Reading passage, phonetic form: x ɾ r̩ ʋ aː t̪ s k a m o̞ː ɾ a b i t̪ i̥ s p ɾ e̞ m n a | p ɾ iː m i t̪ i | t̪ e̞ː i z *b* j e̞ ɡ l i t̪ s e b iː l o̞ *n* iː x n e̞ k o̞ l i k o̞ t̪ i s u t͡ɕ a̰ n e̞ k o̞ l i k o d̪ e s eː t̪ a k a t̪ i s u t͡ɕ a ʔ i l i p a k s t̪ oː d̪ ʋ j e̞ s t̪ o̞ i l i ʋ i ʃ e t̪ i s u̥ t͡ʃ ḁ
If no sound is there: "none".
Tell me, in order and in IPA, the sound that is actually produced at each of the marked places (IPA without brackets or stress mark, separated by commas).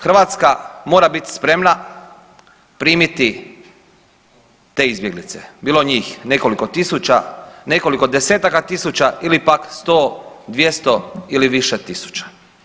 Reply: b, ɲ